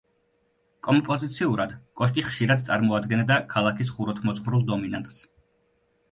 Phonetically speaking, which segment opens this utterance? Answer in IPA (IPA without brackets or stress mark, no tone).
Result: kʼ